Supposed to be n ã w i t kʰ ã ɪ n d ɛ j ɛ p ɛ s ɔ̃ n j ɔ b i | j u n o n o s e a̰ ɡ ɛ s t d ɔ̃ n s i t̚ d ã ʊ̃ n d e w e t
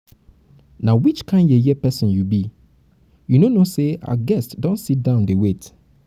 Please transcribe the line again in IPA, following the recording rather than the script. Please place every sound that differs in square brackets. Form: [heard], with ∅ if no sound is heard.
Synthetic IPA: n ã w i [t͡ʃ] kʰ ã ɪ n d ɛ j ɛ p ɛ s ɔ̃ n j [u] b i | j u n o n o s e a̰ ɡ ɛ s t d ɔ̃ n s i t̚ d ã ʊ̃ n d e w e t